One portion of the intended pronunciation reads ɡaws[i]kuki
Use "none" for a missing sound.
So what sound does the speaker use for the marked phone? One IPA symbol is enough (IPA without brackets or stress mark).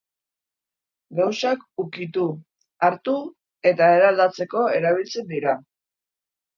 a